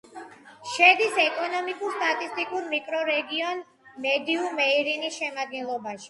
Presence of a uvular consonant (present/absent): absent